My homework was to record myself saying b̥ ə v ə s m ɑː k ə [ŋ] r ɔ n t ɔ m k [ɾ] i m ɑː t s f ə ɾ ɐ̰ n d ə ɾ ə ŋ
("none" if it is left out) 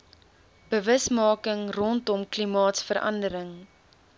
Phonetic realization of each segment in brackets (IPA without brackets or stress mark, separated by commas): ŋ, l